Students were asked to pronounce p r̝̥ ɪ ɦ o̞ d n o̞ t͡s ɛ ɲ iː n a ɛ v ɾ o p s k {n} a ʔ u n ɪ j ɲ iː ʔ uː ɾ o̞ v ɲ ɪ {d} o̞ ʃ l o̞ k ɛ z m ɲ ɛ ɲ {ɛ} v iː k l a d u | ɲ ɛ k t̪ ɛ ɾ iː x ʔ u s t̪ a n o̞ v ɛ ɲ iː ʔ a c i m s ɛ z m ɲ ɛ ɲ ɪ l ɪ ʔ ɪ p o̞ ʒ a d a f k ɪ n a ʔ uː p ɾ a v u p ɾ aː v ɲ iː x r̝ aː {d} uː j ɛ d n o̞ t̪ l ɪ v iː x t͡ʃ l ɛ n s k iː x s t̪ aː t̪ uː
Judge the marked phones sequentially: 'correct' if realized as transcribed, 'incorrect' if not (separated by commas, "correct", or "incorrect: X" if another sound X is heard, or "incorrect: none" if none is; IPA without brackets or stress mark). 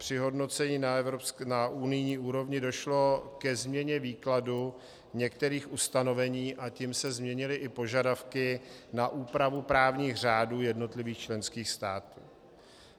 correct, correct, correct, correct